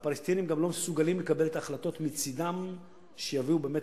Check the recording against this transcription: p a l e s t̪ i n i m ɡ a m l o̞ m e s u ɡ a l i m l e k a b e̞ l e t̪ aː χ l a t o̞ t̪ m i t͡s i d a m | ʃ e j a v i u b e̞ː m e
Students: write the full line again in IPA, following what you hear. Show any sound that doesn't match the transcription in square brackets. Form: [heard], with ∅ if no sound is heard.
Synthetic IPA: p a l e s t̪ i n i m ɡ a m l o̞ m e s u ɡ a l i m l e k a b e̞ l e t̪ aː χ l a t o̞ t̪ m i t͡s i d a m | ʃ e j a v i u b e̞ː m e